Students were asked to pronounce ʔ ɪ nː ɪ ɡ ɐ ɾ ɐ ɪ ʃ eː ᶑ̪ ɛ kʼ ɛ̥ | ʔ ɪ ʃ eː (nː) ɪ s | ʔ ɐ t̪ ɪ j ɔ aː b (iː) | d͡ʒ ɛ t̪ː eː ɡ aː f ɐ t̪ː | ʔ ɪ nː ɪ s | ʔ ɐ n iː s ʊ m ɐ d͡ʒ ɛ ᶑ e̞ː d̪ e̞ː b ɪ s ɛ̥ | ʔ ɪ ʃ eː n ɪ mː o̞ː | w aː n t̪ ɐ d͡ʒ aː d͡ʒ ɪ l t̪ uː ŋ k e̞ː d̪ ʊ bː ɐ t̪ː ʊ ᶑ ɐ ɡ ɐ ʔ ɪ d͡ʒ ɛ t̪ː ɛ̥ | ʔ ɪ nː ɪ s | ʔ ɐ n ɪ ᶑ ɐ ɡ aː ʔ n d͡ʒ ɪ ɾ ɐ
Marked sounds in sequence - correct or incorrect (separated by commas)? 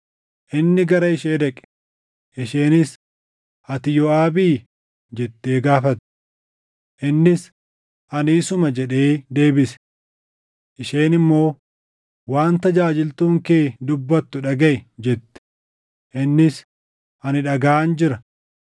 incorrect, correct